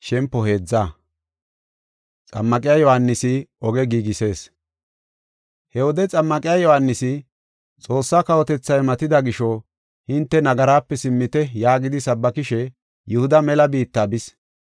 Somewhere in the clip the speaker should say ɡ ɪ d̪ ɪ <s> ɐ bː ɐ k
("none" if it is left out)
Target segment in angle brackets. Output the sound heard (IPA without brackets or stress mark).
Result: s